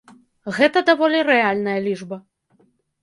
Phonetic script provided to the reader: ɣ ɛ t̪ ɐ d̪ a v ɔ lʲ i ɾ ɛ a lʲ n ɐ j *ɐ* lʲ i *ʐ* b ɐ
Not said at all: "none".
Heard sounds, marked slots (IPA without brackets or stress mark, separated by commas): ɐ, ʐ